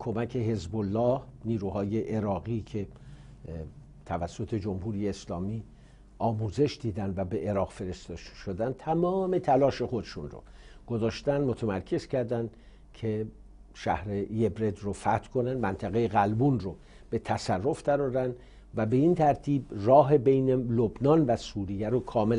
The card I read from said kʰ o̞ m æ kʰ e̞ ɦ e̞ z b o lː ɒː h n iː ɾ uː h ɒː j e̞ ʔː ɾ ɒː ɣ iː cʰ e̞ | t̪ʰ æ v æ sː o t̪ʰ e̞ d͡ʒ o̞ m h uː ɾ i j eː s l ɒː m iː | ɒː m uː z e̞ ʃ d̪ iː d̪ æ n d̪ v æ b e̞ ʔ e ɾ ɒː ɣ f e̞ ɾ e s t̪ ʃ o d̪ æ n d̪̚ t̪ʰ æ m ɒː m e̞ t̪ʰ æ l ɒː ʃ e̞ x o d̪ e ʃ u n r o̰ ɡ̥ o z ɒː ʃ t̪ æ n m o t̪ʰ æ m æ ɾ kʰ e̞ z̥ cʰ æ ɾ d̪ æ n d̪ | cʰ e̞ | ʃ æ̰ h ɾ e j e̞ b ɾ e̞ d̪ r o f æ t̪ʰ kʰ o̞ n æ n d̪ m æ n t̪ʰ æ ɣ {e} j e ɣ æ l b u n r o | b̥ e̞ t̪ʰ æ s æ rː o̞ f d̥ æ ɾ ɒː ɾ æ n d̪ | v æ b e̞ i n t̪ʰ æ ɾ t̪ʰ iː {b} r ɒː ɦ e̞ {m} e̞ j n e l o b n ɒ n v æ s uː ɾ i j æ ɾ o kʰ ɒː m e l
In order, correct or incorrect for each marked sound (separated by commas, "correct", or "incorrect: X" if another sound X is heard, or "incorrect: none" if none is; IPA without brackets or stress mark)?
correct, correct, incorrect: b